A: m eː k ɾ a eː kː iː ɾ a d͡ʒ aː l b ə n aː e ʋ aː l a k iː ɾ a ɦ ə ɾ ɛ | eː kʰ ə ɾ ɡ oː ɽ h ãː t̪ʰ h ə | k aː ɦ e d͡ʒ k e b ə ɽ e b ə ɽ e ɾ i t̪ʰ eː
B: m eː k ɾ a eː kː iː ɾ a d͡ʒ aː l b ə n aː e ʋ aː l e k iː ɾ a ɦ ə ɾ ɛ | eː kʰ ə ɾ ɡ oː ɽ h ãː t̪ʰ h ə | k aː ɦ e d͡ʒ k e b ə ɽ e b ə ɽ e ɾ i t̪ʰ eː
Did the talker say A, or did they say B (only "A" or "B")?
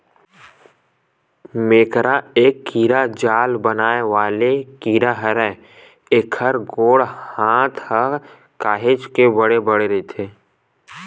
B